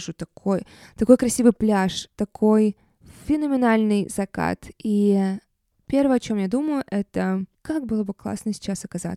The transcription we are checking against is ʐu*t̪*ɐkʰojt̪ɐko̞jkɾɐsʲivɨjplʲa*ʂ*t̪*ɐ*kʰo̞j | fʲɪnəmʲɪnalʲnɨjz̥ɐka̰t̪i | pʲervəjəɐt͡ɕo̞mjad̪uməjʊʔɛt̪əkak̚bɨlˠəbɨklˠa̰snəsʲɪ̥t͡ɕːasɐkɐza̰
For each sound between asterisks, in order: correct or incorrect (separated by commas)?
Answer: correct, correct, correct